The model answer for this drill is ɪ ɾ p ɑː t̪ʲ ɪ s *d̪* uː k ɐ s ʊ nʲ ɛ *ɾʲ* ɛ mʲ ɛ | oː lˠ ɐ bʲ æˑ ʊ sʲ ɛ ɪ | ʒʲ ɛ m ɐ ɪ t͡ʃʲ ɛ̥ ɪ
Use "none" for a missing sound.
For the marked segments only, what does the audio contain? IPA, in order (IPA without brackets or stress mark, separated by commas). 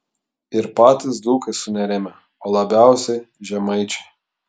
d̪, ɾʲ